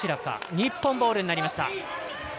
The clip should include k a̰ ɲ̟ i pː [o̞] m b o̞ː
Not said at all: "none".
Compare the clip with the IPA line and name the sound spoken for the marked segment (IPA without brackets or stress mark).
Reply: õ̞